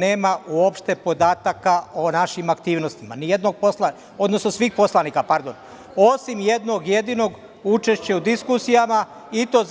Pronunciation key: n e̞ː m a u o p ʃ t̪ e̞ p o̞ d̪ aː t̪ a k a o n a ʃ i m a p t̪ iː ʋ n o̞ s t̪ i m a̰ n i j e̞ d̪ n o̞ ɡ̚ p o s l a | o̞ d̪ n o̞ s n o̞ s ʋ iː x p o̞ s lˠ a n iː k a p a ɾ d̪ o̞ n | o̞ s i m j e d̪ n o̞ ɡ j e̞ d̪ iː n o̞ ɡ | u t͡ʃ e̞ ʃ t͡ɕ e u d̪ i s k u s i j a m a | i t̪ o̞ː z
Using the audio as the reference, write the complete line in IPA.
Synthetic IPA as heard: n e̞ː m a u o p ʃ t̪ e̞ p o̞ d̪ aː t̪ a k a o n a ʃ i m a k t̪ iː ʋ n o̞ s t̪ i m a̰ n i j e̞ d̪ n o̞ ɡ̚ p o s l a | o̞ d̪ n o̞ s n o̞ s ʋ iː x p o̞ s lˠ a n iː k a p a ɾ d̪ o̞ n | o̞ s i m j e d̪ n o̞ ɡ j e̞ d̪ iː n o̞ ɡ | u t͡ʃ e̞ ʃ t͡ɕ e u d̪ i s k u s i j a m a | i t̪ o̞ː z